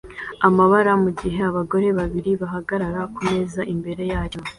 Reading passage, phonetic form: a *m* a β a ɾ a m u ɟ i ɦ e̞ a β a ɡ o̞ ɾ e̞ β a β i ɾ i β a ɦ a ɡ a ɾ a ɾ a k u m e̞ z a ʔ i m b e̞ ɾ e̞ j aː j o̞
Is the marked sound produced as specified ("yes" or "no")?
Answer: yes